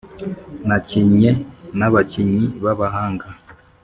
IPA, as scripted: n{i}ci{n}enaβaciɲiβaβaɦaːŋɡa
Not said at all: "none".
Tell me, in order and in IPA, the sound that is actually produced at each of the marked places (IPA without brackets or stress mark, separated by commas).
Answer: a, ɲ